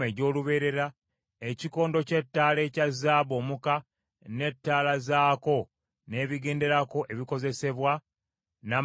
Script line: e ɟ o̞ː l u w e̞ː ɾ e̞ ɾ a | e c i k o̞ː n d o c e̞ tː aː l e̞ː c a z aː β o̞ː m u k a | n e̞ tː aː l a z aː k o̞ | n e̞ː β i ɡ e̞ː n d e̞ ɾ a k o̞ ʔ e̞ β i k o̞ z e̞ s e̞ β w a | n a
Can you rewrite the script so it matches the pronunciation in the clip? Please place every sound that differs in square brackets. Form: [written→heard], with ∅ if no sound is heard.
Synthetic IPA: e ɟ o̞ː l u [w→β] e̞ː ɾ e̞ ɾ a | e c i k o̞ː n d o c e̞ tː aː l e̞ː c a z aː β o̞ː m u k a | n e̞ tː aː l a z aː k o̞ | n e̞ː β i ɡ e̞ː n d e̞ ɾ a k o̞ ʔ e̞ β i k o̞ z e̞ s e̞ β w a | n a